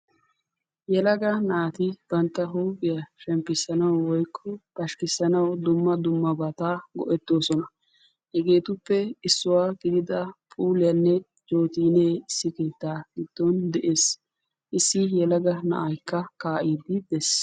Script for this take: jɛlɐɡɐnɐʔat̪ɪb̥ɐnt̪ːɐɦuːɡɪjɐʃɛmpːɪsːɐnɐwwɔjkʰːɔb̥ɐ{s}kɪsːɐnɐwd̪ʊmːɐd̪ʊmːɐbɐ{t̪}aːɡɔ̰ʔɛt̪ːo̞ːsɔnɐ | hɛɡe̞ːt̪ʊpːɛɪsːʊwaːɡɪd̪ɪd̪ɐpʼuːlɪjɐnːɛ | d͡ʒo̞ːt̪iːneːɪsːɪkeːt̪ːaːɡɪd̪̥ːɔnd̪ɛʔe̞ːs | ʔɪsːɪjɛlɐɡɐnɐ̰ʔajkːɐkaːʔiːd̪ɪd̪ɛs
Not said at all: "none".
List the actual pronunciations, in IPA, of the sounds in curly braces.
ʃ, t̪

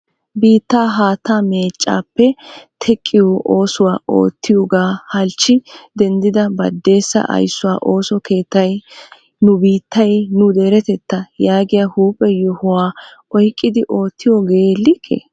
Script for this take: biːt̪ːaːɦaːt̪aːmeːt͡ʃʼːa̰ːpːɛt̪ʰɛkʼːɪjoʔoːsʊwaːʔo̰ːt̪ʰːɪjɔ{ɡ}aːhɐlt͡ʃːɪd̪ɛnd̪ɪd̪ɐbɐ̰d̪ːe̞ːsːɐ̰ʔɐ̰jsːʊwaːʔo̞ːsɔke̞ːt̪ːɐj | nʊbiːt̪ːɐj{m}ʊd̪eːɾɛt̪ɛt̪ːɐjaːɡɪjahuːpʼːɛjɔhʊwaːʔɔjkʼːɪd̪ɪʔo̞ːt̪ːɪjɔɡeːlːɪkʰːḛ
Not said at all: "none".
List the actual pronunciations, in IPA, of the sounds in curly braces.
ɡ, n

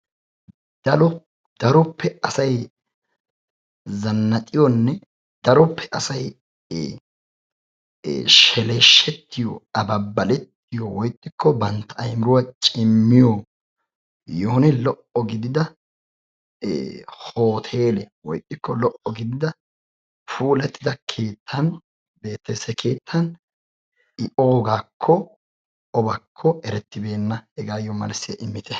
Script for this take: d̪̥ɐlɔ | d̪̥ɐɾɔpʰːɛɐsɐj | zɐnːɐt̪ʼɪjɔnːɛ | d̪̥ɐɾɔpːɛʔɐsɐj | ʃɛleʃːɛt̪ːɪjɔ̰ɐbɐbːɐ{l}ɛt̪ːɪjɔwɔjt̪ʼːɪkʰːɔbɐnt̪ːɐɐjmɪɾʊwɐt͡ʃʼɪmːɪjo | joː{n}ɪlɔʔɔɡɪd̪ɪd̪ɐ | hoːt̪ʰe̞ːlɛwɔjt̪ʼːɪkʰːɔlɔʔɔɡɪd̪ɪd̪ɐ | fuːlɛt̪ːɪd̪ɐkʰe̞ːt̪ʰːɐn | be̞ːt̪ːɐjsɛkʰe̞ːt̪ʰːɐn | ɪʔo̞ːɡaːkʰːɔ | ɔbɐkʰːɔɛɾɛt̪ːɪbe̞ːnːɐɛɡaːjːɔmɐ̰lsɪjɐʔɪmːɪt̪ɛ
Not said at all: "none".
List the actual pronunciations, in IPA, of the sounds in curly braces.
l, n

